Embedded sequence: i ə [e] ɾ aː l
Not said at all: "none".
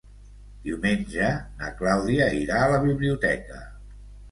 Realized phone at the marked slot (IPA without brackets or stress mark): i